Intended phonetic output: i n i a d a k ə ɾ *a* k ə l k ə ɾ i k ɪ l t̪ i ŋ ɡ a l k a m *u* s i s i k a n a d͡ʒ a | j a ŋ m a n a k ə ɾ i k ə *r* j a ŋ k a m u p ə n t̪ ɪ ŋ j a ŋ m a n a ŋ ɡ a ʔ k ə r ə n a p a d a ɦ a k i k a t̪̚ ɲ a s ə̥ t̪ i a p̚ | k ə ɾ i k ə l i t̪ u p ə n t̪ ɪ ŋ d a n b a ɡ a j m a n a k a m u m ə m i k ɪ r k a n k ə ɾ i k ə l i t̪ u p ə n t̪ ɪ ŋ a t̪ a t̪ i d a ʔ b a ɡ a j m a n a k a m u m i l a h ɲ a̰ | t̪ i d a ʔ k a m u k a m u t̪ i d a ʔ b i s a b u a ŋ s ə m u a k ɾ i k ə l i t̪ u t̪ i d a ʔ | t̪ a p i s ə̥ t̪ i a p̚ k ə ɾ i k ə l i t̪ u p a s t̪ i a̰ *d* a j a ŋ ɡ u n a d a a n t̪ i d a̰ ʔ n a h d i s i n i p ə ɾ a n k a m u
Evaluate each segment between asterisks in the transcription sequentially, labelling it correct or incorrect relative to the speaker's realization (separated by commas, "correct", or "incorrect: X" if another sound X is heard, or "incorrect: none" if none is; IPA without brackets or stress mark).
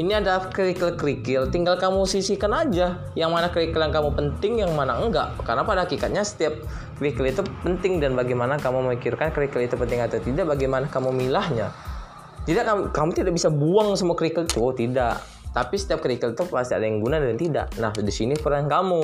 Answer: incorrect: i, correct, incorrect: l, correct